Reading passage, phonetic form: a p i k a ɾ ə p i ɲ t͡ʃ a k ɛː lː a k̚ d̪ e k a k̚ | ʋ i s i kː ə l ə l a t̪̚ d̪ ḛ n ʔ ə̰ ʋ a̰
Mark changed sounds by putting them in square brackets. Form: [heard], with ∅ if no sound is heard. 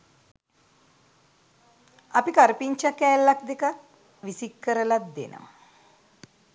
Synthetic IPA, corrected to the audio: a p i k a ɾ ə p i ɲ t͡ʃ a k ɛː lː a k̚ d̪ e k a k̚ | ʋ i s i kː ə [ɾ] ə l a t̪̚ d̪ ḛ n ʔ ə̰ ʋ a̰